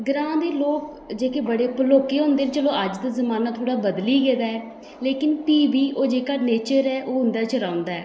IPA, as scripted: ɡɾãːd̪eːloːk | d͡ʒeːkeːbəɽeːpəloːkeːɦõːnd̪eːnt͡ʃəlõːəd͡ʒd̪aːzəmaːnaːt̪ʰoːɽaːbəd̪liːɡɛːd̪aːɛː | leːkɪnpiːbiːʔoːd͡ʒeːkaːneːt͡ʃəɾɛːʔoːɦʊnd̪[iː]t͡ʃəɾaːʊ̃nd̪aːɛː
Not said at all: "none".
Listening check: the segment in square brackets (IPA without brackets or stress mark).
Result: aː